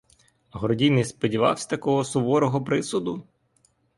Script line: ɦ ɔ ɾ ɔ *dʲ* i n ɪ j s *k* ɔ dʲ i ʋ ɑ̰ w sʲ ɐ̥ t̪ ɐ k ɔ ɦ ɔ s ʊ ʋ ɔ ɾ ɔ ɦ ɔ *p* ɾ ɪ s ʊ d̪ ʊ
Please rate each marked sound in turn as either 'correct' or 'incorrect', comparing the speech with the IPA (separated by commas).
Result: correct, incorrect, correct